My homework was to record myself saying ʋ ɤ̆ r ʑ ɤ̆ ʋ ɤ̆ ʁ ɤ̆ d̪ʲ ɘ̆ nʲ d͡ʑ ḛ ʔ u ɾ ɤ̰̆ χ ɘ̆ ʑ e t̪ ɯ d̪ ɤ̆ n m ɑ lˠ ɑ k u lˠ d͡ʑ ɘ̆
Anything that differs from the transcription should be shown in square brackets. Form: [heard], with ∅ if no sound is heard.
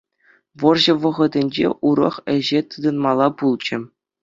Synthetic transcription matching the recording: ʋ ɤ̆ r ʑ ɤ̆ ʋ ɤ̆ ʁ ɤ̆ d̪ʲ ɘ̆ nʲ d͡ʑ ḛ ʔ u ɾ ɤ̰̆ χ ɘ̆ ʑ e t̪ ɯ d̪ ɤ̆ n m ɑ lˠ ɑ [p] u lˠ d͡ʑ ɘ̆